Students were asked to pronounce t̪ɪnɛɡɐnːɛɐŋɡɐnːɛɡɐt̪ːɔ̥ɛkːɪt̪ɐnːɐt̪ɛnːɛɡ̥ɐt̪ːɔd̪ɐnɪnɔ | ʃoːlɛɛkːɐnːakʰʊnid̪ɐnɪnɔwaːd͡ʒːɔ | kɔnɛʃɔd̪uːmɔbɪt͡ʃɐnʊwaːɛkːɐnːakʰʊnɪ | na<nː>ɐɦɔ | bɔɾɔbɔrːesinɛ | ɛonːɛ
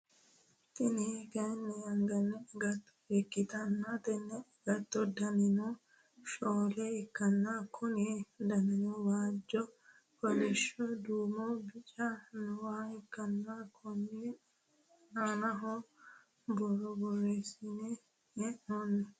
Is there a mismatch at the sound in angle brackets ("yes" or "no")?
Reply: yes